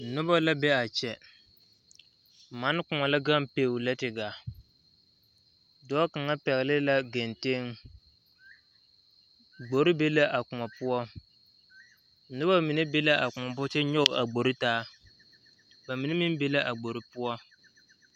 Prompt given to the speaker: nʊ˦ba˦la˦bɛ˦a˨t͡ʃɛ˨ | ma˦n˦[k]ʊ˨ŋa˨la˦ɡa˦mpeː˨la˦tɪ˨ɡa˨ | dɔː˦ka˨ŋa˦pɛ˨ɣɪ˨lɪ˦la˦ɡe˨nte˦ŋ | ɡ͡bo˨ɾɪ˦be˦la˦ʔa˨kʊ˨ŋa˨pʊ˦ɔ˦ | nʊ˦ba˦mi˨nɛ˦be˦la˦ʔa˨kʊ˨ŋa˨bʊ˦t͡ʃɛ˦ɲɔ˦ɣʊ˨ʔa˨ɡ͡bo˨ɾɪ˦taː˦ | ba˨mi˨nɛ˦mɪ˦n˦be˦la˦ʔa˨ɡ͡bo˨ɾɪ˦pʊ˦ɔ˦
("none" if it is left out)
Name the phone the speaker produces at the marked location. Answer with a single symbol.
k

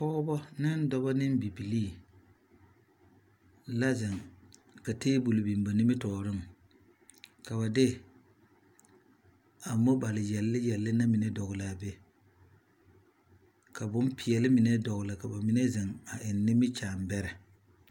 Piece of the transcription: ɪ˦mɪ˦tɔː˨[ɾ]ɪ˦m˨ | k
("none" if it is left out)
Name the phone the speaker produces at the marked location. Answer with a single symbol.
ɾ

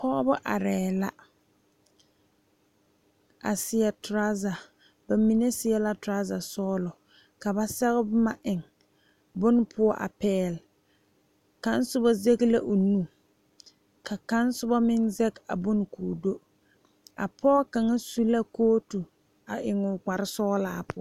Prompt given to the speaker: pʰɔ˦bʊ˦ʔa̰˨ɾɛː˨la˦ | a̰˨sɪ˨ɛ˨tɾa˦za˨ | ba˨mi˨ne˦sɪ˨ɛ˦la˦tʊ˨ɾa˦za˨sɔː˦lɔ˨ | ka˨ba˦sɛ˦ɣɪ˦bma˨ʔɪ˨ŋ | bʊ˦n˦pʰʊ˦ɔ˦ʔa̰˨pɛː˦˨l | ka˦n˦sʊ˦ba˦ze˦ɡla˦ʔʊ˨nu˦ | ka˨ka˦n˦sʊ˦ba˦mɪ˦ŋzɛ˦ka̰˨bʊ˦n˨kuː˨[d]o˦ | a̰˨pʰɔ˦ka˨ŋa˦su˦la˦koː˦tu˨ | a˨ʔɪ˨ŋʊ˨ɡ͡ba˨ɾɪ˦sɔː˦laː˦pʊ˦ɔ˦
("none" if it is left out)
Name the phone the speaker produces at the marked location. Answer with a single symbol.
d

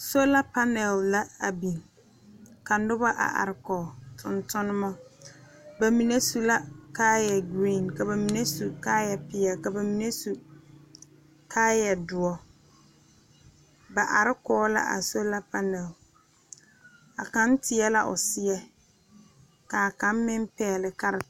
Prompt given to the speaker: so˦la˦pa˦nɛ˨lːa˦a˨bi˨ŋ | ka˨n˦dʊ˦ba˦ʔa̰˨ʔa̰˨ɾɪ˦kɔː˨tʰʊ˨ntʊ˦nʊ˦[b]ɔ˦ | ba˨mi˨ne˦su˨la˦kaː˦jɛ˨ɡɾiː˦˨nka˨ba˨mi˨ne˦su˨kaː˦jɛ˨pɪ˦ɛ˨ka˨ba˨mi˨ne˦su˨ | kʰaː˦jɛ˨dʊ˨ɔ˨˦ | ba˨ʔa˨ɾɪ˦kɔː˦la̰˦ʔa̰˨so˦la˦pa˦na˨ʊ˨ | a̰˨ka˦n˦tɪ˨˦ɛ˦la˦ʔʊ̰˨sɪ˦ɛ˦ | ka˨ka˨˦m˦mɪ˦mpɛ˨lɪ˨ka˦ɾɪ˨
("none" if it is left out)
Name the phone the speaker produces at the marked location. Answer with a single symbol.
m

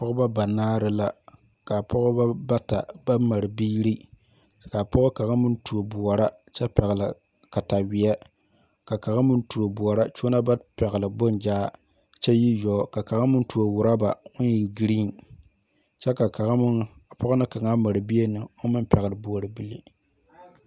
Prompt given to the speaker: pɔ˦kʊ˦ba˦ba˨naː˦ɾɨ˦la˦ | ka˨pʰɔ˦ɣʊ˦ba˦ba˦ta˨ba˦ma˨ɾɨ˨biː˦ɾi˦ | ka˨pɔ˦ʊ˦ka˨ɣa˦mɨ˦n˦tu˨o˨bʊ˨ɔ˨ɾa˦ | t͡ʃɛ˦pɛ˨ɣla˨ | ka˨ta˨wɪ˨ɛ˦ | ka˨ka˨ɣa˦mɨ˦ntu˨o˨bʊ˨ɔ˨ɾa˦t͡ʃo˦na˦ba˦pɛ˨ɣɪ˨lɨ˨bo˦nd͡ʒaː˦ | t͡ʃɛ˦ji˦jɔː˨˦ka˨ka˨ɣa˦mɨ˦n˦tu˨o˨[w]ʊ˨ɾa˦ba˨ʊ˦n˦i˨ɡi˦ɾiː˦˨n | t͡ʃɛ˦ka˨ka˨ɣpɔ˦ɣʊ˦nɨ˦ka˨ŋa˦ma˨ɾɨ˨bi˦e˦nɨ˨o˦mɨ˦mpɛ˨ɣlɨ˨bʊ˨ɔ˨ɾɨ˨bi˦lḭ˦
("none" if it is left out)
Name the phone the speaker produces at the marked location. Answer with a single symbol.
w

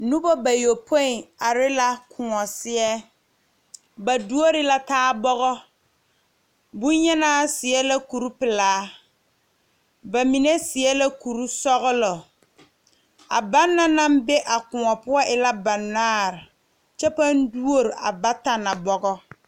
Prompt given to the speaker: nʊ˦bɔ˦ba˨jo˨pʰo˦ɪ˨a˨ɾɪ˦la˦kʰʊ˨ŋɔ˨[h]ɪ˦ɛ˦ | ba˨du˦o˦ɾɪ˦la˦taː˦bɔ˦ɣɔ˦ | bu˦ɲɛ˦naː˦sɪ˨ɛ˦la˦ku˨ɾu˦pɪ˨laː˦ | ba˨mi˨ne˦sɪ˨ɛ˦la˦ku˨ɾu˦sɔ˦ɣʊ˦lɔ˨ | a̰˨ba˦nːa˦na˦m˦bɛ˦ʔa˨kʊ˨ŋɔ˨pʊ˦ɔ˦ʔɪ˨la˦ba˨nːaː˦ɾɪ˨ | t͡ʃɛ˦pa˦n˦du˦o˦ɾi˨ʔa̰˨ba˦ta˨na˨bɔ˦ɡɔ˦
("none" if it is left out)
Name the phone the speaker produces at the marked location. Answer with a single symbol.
s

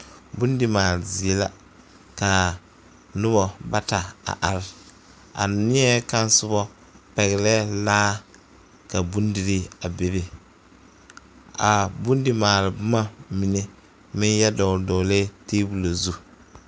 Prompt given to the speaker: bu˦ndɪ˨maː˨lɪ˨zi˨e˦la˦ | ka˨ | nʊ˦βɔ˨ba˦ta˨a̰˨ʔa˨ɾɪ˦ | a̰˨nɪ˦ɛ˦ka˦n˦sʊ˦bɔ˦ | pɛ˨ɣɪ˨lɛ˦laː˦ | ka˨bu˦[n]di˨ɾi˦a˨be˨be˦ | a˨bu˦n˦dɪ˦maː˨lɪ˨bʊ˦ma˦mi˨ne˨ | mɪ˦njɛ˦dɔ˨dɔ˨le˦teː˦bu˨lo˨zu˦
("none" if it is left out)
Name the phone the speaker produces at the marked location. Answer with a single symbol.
n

